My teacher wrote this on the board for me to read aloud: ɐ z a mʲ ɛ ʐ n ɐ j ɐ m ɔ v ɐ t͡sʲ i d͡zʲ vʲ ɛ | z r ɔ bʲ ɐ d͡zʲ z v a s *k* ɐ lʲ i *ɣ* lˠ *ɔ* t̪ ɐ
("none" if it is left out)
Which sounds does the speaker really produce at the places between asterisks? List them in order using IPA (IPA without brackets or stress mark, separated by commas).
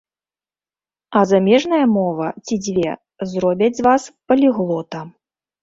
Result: p, ɣ, ɔ